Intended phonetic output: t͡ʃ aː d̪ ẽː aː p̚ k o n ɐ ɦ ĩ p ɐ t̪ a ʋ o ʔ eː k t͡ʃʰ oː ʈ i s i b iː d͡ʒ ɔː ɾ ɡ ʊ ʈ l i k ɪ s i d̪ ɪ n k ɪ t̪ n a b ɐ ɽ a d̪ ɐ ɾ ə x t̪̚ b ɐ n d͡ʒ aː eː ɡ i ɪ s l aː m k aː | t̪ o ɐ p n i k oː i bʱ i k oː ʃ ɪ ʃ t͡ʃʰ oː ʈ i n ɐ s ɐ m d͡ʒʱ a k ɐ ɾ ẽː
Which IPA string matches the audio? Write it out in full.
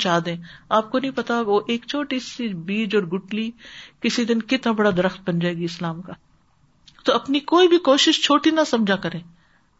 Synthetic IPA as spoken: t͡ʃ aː d̪ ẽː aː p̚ k o n ɐ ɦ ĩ p ɐ t̪ a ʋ o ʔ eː k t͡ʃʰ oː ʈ i s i b iː d͡ʒ ɔː ɾ ɡ ʊ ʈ l i k ɪ s i d̪ ɪ n k ɪ t̪ n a b ɐ ɽ a d̪ ɐ ɾ ə x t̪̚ b ɐ n d͡ʒ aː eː ɡ i ɪ s l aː m k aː | t̪ o ɐ p n i k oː i bʱ i k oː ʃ ɪ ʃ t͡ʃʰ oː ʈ i n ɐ s ɐ m d͡ʒʱ a k ɐ ɾ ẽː